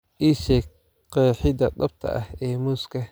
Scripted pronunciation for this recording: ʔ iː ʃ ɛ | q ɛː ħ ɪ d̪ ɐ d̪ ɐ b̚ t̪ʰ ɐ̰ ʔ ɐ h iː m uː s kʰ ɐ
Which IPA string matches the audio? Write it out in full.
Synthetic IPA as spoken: ʔ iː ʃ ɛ | q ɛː ħ ɪ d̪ ɐ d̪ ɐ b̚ t̪ʰ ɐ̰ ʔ ɐ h ɛː m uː s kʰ ɐ

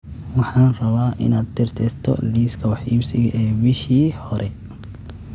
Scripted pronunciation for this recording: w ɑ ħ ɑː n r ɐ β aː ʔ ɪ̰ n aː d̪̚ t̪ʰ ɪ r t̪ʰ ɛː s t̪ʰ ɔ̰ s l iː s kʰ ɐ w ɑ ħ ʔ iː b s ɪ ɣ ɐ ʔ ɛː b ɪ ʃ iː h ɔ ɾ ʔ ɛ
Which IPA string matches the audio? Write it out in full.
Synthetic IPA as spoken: w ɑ ħ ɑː n r ɐ β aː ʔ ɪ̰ n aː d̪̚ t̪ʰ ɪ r t̪ʰ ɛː s t̪ʰ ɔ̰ l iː s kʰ ɐ w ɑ ħ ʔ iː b s ɪ ɣ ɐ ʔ ɛː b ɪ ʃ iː h ɔ ɾ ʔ ɛ

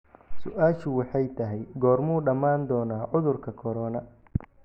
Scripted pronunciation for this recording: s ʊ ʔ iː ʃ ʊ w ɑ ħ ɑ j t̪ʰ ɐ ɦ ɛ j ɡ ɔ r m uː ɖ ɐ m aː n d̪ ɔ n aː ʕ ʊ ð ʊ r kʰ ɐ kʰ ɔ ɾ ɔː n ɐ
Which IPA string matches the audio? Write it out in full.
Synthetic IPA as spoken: s ʊ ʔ aː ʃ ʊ w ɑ ħ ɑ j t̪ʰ ɐ ɦ ɛ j ɡ ɔː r m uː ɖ ɐ m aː n d̪ ɔː n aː ʕ ʊ ð ʊ r kʰ ɐ kʰ ɔ ɾ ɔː n ɐ

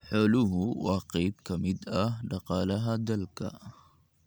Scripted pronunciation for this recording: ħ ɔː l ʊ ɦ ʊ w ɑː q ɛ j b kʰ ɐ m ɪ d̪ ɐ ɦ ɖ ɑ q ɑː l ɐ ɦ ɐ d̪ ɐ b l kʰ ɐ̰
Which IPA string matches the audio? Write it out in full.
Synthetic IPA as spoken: ħ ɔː l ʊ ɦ ʊ w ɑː q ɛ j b kʰ ɐ m ɪ d̪ ɐ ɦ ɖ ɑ q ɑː l ɐ ɦ ɐ d̪ ɐ l kʰ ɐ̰

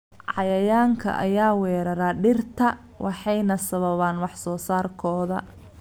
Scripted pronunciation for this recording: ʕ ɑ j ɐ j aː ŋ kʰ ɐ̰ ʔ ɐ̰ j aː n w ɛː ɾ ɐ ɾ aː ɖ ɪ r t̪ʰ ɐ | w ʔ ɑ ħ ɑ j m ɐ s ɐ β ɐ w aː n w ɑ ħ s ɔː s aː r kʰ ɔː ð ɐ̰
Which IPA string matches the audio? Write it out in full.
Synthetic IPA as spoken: ʕ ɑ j ɐ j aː ŋ kʰ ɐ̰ ʔ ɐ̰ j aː w ɛː ɾ ɐ ɾ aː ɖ ɪ r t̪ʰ ɐ | w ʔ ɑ ħ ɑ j n ɐ s ɐ β ɐ β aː n w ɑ ħ s ɔː s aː r kʰ ɔː ð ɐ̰

